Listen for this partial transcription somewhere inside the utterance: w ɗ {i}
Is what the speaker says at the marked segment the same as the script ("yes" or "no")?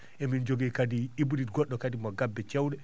no